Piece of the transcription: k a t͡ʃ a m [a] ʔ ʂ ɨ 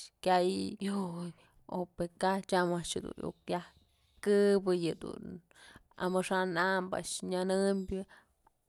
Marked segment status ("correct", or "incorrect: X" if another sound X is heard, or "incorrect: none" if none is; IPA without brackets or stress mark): correct